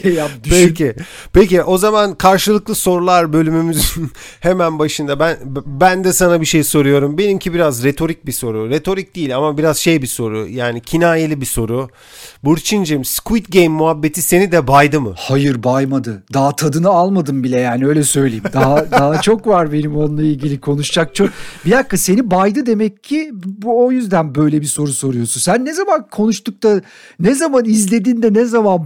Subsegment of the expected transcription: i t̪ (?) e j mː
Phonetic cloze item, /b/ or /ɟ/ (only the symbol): ɟ